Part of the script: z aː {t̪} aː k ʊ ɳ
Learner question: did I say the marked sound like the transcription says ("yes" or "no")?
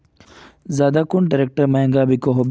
no